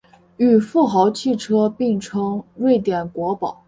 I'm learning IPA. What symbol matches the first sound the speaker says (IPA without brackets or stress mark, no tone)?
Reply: y